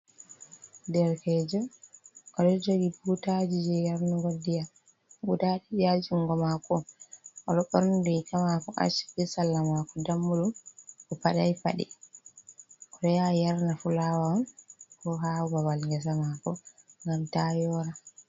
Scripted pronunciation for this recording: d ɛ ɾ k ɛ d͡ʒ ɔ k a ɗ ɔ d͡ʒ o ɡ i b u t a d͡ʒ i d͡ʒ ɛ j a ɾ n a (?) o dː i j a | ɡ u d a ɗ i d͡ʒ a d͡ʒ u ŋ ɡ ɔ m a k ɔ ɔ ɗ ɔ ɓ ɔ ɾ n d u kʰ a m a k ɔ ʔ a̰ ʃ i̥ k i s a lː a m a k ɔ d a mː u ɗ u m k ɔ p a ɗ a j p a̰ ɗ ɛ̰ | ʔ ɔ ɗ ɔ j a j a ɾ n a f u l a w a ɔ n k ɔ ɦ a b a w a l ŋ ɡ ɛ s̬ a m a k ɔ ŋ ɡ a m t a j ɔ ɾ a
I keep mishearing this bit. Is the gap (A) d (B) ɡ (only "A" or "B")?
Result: B